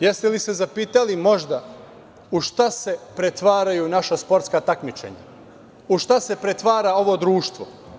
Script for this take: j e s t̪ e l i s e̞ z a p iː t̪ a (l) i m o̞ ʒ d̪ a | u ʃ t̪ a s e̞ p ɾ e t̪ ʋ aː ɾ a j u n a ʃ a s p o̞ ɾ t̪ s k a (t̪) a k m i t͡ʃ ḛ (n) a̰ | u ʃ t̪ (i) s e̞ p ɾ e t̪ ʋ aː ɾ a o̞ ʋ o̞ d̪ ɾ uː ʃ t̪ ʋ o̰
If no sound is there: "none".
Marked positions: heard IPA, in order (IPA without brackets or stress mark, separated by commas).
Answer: l, t̪, ɲ, a